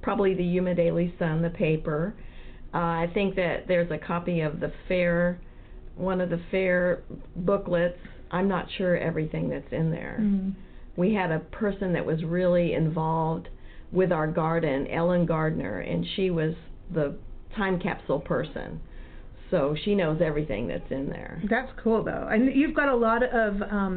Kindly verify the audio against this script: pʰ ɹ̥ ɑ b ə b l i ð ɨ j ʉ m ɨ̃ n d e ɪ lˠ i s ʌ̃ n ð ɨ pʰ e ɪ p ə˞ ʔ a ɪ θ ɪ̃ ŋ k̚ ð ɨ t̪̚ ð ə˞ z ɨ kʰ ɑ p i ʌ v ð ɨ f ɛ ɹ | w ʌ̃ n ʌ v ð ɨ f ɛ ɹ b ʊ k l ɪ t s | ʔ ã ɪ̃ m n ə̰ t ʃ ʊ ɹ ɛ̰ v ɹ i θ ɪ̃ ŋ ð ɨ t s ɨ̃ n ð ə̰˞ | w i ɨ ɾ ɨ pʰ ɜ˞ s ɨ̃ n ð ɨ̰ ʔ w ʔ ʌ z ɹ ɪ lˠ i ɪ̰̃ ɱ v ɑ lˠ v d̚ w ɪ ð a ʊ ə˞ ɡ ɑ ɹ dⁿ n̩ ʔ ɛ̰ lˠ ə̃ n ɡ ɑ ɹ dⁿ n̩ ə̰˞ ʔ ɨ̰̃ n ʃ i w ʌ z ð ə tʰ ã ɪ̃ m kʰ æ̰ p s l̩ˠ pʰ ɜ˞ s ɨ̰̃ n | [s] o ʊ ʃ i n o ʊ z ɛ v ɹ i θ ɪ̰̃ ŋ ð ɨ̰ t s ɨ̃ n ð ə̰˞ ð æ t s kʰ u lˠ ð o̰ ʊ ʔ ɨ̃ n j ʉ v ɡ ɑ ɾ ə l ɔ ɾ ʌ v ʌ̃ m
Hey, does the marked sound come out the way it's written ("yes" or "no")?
yes